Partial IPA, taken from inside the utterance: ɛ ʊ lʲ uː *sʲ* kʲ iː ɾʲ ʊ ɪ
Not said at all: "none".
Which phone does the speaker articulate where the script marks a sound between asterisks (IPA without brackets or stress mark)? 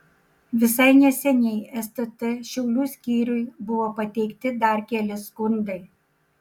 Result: sʲ